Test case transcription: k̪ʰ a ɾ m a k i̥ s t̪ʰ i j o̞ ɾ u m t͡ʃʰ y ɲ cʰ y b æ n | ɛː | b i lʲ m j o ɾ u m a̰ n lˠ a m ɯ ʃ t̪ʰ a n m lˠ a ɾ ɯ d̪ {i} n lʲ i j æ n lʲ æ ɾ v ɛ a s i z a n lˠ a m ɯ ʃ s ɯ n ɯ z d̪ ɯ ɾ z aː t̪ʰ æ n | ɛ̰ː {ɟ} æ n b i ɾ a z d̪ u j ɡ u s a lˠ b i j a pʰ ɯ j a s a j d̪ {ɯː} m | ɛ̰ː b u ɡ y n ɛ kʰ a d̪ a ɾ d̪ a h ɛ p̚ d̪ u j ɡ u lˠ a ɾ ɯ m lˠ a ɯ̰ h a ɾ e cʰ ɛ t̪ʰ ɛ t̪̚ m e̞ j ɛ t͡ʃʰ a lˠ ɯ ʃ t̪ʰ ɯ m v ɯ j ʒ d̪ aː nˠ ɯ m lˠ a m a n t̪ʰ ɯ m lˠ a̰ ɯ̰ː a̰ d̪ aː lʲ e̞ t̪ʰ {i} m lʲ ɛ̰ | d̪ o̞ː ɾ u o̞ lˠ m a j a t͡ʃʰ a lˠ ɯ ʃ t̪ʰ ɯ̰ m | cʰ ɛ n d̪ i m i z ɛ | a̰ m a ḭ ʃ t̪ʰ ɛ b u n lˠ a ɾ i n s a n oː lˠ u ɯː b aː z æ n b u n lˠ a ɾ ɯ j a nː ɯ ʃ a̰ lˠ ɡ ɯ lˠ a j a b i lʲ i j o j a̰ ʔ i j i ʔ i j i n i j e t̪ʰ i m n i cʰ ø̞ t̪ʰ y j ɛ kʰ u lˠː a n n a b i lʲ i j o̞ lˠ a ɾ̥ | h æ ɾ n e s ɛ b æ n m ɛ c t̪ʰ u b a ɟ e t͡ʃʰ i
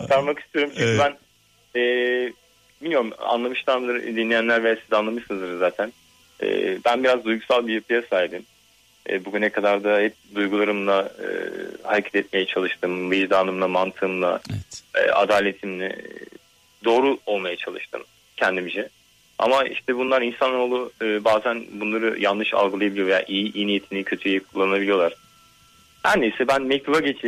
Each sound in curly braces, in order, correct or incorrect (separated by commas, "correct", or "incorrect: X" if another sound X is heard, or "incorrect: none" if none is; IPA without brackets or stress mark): correct, incorrect: b, incorrect: ɯ, correct